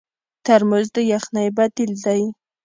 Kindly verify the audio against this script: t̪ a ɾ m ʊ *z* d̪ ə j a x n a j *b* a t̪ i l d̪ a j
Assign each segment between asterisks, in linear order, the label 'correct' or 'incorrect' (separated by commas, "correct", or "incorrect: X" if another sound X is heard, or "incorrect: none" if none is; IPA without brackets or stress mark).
correct, correct